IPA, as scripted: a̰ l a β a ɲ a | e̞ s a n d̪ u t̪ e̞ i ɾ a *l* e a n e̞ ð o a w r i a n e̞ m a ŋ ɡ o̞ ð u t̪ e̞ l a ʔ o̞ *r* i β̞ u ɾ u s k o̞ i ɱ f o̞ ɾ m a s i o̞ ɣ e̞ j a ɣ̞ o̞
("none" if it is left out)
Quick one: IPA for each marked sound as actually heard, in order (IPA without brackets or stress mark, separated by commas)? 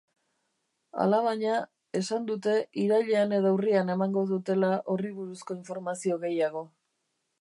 ʎ, r